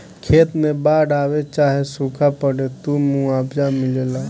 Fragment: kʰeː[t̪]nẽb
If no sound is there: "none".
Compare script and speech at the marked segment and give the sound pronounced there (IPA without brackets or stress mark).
t̪